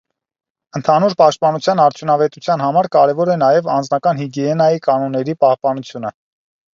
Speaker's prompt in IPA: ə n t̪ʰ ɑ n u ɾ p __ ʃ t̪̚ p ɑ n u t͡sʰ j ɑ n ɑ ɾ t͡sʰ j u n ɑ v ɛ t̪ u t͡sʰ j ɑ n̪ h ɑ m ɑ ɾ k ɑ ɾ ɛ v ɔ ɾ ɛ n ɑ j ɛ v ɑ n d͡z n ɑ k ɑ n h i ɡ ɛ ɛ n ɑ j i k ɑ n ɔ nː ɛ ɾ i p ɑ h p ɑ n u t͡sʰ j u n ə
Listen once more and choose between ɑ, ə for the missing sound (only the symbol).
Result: ɑ